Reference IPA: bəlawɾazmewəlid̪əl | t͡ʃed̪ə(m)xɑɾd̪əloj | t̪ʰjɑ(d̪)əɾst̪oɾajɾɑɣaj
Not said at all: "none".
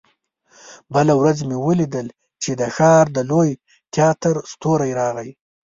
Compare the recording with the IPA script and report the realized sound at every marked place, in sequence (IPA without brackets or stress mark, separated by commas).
none, t̪